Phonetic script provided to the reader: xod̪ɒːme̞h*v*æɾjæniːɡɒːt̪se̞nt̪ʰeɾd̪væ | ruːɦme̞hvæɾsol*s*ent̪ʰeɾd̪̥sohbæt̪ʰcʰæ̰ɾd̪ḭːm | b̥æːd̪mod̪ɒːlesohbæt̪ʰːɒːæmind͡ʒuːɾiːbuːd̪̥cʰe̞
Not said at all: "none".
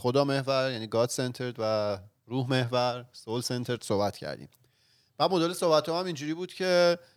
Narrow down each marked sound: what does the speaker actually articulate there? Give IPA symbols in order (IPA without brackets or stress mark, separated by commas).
v, s